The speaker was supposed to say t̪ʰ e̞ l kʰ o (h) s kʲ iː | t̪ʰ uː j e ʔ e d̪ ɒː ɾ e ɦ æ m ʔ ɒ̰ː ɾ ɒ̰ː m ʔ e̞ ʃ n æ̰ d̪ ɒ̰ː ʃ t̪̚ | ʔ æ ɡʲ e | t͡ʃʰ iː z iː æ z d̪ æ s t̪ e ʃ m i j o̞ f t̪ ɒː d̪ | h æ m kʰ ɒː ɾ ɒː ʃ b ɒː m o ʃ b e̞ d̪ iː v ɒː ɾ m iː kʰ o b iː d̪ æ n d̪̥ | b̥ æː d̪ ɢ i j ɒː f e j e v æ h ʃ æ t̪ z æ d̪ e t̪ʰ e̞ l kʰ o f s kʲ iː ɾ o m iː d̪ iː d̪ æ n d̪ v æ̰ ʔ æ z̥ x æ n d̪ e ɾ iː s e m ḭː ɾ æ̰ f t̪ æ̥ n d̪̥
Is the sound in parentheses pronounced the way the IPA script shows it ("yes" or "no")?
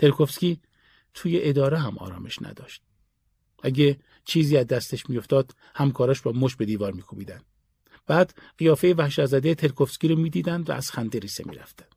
no